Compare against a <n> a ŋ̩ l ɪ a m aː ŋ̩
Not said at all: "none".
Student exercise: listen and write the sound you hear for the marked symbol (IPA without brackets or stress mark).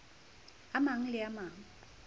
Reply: m